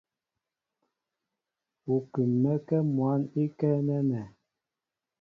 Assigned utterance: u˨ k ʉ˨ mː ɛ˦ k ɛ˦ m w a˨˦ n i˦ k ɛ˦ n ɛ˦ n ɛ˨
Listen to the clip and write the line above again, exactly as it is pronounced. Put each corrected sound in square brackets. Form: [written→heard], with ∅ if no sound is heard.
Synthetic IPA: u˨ k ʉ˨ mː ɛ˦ k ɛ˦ m w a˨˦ n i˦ k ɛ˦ n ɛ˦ n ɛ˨